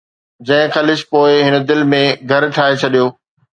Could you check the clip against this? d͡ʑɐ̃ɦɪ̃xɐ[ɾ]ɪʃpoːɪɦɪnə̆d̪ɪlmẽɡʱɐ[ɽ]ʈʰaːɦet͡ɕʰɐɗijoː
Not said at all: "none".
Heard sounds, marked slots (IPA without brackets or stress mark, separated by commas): l, ɾ